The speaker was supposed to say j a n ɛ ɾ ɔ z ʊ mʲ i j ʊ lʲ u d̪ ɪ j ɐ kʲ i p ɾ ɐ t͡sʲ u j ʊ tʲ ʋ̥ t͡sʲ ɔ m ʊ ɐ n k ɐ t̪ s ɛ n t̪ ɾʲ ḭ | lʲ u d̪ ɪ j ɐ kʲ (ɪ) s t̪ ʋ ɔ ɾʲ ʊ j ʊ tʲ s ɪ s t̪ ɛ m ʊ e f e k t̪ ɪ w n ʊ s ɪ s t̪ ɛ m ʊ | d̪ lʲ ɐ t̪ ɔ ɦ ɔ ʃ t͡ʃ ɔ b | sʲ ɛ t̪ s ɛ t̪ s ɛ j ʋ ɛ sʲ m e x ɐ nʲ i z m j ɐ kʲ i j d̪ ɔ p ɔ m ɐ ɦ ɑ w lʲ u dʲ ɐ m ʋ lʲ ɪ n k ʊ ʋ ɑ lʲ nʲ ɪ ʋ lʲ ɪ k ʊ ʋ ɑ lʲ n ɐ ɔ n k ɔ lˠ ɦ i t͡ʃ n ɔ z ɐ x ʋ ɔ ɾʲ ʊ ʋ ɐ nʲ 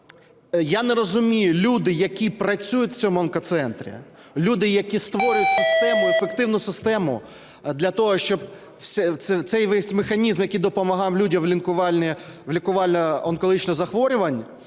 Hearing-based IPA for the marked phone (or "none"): i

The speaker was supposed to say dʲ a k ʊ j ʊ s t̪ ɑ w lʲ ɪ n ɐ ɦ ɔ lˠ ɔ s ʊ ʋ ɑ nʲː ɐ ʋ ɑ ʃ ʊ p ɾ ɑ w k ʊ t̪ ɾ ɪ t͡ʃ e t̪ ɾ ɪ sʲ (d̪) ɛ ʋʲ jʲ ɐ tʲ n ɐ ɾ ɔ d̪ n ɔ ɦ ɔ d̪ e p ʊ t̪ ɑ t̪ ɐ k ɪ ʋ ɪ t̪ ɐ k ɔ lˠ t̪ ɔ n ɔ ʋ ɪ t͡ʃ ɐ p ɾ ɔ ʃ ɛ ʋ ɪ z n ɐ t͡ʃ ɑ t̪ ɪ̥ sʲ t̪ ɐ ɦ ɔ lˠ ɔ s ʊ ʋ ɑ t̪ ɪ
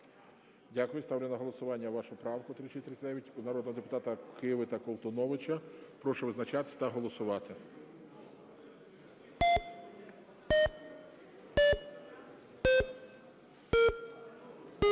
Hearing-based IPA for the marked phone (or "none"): d̪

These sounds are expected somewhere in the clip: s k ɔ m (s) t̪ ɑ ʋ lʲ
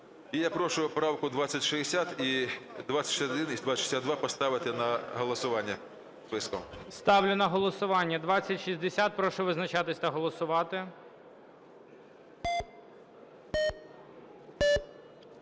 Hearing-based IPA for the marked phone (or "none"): s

